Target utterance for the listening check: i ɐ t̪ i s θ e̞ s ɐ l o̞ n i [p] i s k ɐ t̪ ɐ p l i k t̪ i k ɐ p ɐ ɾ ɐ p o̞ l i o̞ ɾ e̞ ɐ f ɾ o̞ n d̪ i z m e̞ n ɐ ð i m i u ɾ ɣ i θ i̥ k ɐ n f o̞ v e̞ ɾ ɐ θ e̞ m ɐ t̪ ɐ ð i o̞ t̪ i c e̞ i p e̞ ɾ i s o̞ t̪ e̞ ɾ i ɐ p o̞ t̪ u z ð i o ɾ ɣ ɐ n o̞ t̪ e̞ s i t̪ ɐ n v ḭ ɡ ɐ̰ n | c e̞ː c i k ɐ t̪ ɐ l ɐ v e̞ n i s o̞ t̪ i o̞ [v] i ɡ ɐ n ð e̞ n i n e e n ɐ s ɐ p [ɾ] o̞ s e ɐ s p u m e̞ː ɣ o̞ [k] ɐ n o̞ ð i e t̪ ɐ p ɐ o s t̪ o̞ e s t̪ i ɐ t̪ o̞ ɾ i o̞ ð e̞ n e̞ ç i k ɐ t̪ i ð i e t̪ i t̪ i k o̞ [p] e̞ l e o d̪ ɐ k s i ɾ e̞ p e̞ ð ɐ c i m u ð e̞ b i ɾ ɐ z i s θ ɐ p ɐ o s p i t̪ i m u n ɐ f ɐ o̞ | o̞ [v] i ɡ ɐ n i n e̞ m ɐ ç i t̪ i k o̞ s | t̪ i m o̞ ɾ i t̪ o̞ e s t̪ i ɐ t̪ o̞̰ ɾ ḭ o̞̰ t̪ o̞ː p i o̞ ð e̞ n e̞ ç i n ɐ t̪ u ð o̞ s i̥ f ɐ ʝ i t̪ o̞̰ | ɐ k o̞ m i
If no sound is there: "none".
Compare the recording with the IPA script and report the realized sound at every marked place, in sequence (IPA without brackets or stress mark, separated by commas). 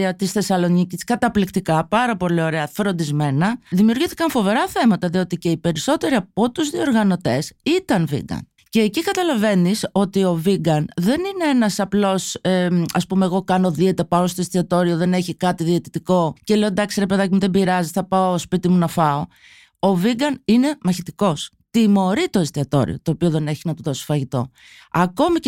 c, v, l, k, c, v